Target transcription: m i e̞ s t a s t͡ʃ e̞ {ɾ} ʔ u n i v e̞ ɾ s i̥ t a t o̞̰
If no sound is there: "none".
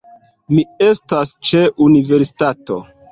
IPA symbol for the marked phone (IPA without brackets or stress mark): none